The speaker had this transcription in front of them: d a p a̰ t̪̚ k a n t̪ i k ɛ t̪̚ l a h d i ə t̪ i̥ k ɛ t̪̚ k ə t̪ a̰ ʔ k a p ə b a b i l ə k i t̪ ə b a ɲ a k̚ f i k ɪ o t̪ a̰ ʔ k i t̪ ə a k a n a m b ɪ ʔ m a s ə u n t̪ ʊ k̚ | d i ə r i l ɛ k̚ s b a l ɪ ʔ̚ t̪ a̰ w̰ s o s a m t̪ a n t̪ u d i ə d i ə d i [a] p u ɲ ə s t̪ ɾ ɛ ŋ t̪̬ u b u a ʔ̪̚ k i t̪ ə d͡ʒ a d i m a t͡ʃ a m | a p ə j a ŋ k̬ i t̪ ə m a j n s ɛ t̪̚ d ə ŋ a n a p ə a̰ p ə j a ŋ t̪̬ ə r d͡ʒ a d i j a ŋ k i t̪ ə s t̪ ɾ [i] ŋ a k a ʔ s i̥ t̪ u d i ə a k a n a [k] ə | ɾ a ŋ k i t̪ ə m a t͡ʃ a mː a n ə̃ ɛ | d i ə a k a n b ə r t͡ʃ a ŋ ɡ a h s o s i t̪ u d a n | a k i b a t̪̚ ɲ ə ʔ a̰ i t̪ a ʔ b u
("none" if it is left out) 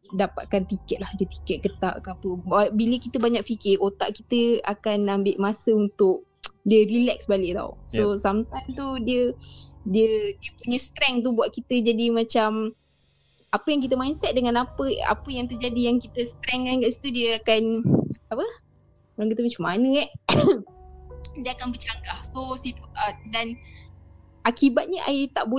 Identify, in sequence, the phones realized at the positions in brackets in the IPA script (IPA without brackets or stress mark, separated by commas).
ə, ɛ, p